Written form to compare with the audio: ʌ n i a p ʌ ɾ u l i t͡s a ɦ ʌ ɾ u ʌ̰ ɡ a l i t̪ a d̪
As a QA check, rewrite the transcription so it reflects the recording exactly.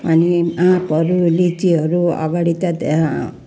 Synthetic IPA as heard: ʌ n i a p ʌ ɾ u l i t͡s i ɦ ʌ ɾ u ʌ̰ ɡ a ɽ i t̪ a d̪